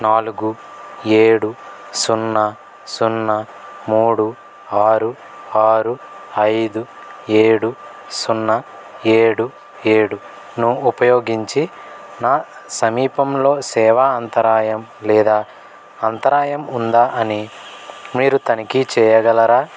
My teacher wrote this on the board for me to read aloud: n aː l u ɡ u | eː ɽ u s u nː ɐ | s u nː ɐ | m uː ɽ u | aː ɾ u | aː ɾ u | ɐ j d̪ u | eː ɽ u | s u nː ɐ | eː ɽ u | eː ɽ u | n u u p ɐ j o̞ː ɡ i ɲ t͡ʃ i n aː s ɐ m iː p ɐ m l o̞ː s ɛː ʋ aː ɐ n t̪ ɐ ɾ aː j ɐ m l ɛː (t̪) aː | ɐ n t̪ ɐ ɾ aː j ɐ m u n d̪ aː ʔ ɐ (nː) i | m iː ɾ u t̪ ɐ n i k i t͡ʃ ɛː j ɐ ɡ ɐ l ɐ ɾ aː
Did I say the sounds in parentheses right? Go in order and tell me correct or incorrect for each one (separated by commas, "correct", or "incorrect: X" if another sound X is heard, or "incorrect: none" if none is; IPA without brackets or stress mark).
incorrect: d̪, incorrect: n